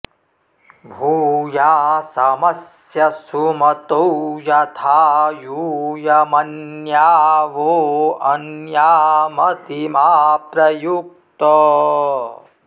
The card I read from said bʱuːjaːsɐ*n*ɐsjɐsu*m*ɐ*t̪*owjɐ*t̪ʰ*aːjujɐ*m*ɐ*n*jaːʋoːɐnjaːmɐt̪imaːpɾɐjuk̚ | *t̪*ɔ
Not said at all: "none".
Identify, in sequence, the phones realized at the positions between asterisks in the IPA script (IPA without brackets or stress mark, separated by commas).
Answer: m, m, t̪, t̪ʰ, m, n, t̪